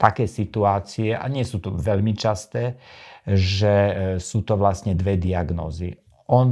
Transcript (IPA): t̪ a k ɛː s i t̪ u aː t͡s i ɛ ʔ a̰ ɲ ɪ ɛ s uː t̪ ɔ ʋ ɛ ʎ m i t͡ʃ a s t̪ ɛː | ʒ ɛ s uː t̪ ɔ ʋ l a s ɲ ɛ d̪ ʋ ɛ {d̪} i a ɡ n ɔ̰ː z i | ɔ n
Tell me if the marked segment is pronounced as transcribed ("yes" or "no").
yes